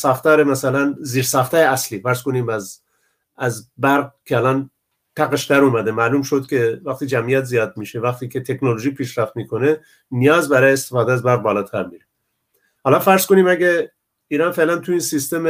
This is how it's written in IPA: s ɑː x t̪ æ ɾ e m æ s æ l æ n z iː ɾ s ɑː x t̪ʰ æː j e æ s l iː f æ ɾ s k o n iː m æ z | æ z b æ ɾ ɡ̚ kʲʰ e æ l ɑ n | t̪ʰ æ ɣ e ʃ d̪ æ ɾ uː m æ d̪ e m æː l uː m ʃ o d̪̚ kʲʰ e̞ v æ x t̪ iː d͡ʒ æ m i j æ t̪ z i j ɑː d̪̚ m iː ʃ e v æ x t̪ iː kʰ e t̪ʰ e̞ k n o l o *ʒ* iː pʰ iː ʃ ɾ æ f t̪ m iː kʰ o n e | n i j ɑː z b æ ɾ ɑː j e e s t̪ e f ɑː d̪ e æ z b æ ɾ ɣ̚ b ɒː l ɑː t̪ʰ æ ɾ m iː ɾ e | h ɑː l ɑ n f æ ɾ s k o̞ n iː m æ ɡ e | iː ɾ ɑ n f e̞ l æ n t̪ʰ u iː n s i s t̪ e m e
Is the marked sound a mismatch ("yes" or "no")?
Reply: no